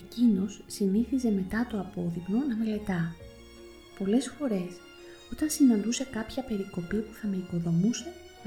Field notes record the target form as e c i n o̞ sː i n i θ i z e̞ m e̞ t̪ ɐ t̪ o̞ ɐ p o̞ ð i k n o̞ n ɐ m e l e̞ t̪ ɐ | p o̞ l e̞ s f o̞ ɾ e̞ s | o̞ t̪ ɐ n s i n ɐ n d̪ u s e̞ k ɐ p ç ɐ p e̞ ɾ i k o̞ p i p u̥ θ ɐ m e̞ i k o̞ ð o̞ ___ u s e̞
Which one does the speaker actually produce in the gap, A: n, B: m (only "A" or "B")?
B